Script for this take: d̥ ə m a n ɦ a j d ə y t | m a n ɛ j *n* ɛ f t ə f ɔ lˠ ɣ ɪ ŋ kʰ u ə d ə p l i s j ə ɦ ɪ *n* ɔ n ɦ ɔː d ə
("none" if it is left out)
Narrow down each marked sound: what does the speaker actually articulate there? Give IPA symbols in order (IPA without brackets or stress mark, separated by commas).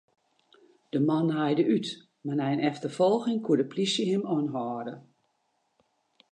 n, m